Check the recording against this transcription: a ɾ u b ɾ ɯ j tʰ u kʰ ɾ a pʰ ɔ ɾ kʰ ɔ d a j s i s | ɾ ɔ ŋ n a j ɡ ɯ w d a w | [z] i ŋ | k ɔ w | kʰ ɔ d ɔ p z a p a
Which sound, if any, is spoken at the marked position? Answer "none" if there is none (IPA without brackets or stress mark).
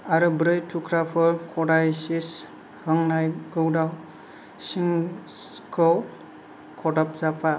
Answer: s